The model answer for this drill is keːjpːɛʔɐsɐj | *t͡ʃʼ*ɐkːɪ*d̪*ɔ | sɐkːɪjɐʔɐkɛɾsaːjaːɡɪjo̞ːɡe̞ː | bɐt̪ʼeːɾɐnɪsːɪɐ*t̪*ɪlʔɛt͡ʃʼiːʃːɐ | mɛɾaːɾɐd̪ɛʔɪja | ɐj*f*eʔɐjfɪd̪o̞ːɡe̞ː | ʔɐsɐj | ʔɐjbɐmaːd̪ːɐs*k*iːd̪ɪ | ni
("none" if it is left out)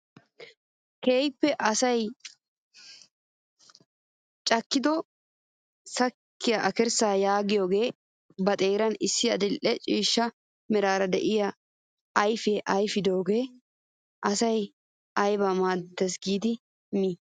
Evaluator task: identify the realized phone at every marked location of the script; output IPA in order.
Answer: t͡ʃʼ, d̪, d̪, f, ɡ

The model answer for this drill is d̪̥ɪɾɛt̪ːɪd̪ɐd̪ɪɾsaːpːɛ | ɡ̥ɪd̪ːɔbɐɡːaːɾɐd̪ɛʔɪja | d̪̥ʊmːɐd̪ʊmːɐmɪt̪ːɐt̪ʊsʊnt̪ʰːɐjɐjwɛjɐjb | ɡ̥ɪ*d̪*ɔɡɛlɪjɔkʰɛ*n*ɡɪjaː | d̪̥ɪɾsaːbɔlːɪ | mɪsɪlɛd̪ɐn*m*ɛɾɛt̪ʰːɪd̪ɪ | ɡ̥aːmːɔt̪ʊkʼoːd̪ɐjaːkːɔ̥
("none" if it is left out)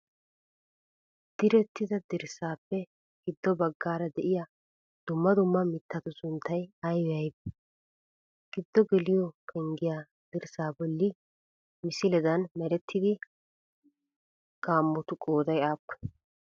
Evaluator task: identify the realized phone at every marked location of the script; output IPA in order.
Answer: d̪ː, ŋ, m

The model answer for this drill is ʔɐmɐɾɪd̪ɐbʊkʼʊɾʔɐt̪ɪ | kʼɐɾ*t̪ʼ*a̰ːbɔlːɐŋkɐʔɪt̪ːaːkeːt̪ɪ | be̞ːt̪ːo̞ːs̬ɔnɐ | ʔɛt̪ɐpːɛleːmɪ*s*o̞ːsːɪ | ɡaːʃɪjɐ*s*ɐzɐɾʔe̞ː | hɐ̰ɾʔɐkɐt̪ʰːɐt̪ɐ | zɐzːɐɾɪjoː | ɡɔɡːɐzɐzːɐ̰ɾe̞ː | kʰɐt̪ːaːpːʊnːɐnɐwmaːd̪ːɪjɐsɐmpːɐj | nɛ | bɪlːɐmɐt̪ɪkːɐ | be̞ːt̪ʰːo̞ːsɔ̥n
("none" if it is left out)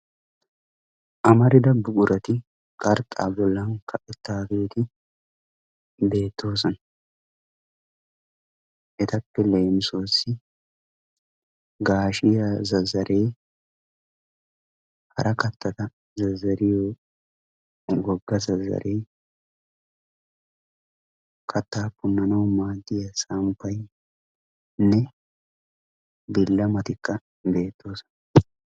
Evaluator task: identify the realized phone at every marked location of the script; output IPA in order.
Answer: t̪ʼ, s, z

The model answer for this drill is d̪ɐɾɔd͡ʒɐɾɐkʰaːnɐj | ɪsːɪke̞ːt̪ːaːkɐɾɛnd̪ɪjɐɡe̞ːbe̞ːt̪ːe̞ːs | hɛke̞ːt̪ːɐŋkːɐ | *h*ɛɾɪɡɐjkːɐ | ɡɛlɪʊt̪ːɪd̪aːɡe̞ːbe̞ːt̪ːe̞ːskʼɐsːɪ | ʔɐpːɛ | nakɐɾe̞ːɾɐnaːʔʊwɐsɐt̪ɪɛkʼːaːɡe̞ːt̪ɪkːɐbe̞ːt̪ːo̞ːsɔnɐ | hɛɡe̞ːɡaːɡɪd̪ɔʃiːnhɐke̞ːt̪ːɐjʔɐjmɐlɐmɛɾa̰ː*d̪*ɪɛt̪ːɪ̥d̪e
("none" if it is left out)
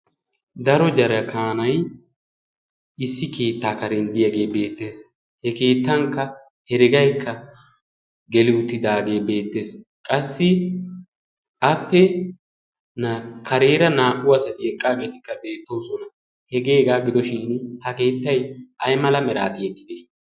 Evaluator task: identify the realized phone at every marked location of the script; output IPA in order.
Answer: h, t̪

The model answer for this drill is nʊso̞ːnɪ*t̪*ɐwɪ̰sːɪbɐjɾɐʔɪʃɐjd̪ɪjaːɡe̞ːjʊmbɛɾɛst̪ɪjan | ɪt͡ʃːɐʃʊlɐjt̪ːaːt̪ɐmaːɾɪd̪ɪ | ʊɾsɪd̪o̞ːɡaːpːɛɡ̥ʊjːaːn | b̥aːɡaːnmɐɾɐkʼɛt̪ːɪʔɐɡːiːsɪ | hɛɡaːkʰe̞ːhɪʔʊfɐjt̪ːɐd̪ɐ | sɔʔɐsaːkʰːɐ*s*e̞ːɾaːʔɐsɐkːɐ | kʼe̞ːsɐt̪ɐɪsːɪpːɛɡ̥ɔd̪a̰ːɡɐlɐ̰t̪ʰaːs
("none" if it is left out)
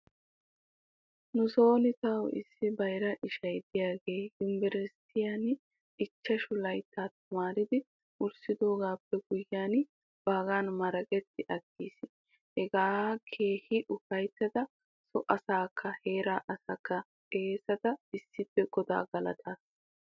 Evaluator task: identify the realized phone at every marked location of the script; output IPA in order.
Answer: t̪, h

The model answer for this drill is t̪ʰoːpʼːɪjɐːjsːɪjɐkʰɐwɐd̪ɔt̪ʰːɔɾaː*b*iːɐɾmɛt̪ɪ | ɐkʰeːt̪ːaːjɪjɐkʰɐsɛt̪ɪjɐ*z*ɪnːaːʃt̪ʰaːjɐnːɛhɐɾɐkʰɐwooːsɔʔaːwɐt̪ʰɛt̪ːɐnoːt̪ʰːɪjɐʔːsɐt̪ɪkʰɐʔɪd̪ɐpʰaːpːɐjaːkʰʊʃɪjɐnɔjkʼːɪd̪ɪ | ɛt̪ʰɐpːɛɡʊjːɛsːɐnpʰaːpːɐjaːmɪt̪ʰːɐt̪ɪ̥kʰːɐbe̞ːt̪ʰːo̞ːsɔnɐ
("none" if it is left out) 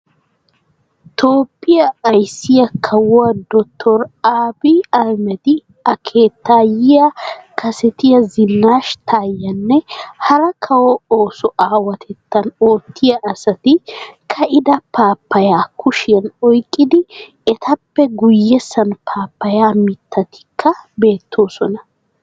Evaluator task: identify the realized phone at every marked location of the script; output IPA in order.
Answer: b, z

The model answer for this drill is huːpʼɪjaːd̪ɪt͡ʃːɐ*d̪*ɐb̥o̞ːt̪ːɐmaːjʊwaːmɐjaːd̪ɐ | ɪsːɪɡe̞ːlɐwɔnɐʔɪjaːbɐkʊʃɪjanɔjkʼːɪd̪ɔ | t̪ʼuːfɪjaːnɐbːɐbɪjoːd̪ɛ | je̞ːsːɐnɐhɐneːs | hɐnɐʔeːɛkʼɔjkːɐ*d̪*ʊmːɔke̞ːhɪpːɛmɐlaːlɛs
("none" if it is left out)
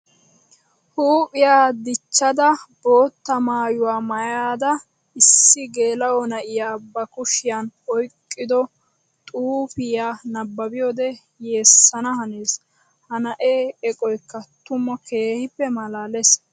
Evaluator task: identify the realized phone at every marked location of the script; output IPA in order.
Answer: d̪, t̪

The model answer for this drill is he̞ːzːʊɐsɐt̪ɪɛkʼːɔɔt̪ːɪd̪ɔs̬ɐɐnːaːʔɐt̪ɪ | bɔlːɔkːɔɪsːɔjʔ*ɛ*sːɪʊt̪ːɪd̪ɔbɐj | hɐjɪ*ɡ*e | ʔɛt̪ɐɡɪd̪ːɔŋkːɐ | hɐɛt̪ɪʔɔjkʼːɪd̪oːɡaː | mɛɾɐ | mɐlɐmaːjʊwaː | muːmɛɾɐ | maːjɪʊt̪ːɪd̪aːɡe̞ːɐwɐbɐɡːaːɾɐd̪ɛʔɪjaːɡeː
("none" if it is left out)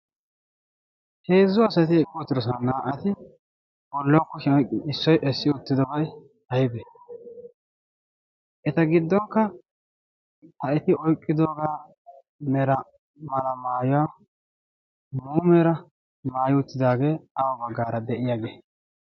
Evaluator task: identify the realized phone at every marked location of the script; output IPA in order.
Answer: ɛ, b

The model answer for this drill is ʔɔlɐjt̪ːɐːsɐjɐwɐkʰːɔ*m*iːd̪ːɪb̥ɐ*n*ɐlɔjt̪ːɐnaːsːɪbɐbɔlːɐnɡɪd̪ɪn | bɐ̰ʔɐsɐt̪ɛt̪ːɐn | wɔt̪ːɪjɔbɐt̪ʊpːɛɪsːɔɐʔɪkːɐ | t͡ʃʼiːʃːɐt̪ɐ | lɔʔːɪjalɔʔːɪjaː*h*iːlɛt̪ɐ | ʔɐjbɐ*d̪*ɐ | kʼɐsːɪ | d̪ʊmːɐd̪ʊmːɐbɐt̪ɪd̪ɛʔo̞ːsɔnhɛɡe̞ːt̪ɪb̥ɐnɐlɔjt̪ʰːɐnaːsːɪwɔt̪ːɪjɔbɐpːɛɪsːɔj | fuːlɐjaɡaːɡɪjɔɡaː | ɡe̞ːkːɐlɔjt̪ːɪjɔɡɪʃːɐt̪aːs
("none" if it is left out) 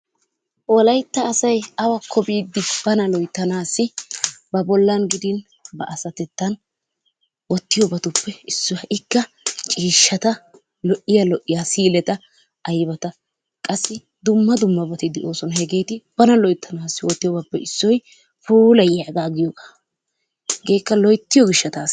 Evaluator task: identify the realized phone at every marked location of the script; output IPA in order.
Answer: b, n, s, t̪

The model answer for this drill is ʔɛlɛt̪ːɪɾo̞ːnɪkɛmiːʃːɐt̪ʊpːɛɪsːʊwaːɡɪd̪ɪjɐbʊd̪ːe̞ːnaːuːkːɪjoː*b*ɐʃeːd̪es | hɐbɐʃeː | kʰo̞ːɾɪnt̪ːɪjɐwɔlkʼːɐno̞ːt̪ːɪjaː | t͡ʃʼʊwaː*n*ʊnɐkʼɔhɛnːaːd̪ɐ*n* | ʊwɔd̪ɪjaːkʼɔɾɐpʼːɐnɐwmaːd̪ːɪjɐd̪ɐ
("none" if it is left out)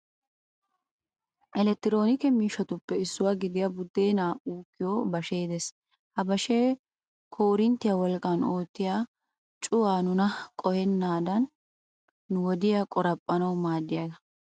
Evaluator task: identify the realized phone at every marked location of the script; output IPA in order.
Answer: b, n, nː

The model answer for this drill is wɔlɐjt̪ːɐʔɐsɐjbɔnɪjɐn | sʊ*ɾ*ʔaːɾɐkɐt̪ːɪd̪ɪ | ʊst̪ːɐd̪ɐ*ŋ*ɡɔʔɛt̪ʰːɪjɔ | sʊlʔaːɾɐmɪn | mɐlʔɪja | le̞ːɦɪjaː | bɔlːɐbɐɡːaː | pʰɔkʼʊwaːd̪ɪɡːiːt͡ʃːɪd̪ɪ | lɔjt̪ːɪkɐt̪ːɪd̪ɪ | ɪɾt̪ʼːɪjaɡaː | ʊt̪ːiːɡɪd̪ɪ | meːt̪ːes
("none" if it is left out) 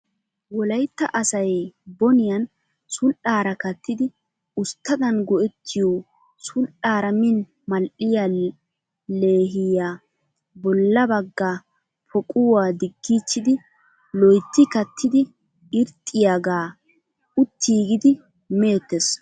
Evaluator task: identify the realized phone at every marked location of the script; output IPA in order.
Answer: l, n

